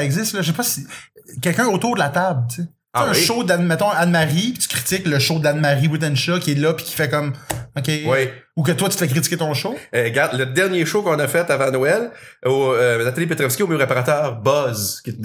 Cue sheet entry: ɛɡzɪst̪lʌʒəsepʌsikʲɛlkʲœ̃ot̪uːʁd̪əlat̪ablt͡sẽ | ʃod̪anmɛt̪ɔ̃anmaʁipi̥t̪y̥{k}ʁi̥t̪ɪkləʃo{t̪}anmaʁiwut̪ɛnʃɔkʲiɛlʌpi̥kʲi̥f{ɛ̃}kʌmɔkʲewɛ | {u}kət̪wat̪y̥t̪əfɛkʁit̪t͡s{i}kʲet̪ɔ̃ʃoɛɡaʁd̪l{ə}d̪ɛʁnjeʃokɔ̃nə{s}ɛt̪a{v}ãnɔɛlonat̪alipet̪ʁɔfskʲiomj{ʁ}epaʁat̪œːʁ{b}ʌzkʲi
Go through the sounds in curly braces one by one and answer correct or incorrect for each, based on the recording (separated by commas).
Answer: correct, incorrect, incorrect, correct, correct, correct, incorrect, correct, correct, correct